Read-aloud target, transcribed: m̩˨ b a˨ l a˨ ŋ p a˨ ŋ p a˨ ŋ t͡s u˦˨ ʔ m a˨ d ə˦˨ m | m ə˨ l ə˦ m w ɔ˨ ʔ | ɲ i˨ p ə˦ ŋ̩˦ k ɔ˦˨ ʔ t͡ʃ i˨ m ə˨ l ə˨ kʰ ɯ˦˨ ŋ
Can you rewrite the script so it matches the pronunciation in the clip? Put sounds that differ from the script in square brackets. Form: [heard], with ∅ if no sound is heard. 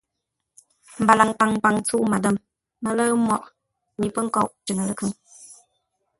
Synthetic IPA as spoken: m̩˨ b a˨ l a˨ ŋ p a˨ ŋ p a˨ ŋ t͡s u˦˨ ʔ m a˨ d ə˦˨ m | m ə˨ l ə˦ m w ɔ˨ ʔ | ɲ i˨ p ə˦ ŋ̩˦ k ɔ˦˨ ʔ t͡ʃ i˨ [ŋ] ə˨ l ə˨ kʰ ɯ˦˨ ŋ